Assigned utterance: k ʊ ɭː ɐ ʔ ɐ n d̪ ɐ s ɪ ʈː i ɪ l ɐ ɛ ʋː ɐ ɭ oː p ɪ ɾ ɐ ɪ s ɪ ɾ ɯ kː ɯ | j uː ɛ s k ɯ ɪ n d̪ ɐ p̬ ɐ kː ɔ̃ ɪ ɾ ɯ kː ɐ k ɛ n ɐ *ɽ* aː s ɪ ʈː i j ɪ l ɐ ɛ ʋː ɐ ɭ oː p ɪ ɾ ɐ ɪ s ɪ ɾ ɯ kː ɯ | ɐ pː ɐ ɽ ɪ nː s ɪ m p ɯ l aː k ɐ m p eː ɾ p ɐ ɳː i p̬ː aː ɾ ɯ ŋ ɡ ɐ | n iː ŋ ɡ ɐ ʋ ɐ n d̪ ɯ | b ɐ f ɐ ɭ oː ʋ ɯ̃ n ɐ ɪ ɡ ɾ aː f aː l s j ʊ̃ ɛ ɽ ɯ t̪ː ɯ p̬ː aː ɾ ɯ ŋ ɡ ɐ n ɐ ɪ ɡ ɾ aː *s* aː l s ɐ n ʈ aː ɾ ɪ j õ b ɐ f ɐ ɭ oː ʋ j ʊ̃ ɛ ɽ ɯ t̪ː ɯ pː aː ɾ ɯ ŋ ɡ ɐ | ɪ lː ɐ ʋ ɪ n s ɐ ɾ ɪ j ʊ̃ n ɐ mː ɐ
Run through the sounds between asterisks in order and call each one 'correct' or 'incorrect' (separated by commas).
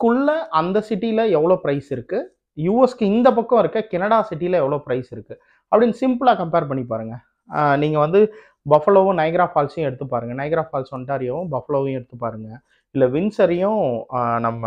correct, incorrect